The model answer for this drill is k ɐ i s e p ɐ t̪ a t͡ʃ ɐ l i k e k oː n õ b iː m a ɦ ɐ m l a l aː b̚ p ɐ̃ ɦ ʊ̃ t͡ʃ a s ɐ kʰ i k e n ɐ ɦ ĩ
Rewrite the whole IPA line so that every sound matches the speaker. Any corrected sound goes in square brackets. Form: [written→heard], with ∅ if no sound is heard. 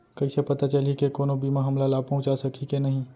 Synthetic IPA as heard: k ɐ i s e p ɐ t̪ a t͡ʃ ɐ l i k e k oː n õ b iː m a ɦ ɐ m l a l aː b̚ p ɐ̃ ɦ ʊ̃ t͡ʃ a s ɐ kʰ i k e n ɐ ɦ ĩ